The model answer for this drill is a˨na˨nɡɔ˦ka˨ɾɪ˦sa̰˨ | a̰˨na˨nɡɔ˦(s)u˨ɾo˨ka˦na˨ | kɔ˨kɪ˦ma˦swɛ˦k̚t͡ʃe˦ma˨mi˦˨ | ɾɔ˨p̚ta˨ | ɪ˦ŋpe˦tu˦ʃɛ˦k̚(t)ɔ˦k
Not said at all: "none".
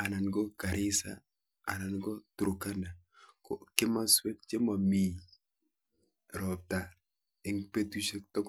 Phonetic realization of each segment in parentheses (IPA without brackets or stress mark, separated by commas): t, t